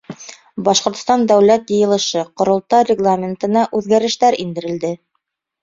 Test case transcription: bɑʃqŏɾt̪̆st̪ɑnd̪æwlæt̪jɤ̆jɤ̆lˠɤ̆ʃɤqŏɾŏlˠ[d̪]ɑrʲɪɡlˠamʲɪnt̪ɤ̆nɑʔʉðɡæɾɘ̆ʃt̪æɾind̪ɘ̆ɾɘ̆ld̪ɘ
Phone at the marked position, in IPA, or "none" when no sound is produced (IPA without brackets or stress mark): t̪